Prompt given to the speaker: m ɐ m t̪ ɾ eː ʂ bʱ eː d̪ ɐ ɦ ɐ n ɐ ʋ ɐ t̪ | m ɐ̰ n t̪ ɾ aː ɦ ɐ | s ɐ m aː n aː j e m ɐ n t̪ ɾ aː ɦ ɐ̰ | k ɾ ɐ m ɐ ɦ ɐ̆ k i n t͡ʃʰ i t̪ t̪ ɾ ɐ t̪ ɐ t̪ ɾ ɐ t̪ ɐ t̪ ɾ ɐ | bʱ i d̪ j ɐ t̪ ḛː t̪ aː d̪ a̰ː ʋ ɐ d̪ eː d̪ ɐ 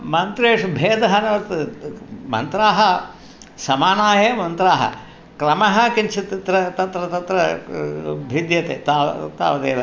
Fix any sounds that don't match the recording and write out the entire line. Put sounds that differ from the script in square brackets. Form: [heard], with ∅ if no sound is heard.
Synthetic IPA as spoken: m ɐ [n] t̪ ɾ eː ʂ bʱ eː d̪ ɐ ɦ ɐ n ɐ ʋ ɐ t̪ | m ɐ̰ n t̪ ɾ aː ɦ ɐ | s ɐ m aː n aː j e m ɐ n t̪ ɾ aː ɦ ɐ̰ | k ɾ ɐ m ɐ ɦ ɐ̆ k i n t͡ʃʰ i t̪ t̪ ɾ ɐ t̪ ɐ t̪ ɾ ɐ t̪ ɐ t̪ ɾ ɐ | bʱ i d̪ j ɐ t̪ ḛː t̪ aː [t̪] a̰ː ʋ ɐ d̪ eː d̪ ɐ